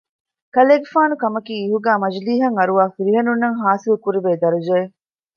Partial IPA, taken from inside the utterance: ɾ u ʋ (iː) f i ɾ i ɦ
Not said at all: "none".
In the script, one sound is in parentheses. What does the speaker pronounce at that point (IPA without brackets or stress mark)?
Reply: aː